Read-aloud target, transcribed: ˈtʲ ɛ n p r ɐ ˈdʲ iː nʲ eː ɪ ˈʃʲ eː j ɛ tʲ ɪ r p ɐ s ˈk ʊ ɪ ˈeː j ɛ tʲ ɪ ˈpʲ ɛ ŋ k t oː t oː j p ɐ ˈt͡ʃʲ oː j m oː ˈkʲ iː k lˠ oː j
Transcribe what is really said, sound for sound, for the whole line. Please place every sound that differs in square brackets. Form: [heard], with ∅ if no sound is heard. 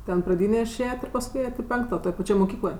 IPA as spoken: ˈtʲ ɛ n p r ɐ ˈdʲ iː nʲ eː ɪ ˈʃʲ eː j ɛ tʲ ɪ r p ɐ s ˈk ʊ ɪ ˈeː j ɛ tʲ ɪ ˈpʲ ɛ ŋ k t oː t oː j p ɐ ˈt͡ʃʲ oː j m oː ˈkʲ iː k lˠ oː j